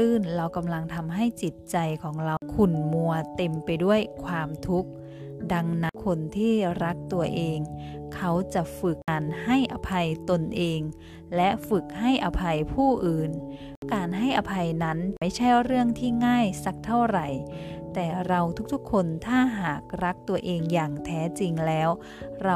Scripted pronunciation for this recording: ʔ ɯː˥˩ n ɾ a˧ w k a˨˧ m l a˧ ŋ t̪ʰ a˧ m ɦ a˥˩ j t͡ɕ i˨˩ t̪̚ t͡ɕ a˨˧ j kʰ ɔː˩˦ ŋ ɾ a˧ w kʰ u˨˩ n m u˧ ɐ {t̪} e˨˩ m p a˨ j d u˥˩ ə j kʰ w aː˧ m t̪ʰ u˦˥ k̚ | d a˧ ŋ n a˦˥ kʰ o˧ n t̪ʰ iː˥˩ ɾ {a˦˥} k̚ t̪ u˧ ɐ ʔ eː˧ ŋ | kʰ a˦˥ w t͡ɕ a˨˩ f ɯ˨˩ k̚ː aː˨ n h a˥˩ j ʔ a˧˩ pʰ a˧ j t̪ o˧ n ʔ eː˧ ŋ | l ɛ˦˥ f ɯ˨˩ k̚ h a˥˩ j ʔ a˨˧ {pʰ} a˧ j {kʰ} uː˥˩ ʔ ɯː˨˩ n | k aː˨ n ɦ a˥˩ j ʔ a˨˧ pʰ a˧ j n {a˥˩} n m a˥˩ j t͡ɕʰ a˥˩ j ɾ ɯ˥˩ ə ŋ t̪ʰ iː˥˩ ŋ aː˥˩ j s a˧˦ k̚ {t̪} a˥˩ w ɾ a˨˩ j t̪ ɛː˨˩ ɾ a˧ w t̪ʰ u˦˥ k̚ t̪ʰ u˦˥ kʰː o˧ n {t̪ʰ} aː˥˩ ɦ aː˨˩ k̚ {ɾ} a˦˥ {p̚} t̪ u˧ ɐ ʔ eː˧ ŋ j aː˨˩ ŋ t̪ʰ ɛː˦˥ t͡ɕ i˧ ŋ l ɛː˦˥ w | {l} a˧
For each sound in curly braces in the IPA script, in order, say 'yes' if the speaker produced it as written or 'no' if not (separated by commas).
yes, yes, yes, no, no, no, yes, yes, no, no